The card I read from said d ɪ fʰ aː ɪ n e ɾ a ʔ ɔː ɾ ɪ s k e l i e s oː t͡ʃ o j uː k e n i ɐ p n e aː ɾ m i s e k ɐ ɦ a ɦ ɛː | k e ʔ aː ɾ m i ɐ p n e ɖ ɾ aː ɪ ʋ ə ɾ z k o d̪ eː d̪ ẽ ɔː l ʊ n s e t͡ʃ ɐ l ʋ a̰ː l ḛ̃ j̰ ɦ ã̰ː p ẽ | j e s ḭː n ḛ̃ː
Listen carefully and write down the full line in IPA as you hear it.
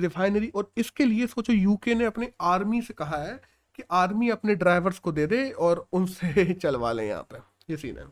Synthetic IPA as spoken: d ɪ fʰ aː ɪ n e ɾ i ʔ ɔː ɾ ɪ s k e l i e s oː t͡ʃ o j uː k e n e ɐ p n e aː ɾ m i s e k ɐ ɦ a ɦ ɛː | k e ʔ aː ɾ m i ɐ p n e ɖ ɾ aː ɪ ʋ ə ɾ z k o d̪ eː d̪ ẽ ɔː ɾ ʊ n s e t͡ʃ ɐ l ʋ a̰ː l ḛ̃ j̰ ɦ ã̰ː p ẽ | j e s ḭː n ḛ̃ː